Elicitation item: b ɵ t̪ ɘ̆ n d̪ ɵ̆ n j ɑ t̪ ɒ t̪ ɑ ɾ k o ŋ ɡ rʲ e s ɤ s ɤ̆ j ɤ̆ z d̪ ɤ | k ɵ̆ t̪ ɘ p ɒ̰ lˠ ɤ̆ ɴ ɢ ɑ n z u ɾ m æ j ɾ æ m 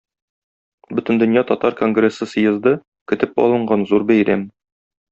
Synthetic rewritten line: b ɵ t̪ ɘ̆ n d̪ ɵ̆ n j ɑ t̪ ɒ t̪ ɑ ɾ k o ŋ ɡ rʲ e s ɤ s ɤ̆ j ɤ̆ z d̪ ɤ | k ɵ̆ t̪ ɘ p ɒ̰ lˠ ɤ̆ ɴ ɢ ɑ n z u ɾ b æ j ɾ æ m